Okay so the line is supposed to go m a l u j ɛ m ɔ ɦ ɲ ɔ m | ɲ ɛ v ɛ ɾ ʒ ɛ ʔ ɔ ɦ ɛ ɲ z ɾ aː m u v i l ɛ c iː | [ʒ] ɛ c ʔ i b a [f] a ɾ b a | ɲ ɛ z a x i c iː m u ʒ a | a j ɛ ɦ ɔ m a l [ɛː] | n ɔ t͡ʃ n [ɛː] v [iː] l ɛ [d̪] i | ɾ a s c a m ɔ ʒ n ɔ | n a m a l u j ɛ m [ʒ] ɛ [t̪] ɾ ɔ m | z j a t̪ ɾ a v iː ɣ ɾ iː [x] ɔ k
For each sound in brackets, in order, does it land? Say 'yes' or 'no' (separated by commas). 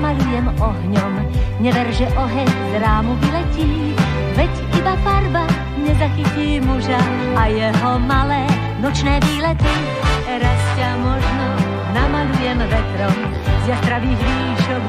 no, yes, yes, yes, yes, no, no, yes, no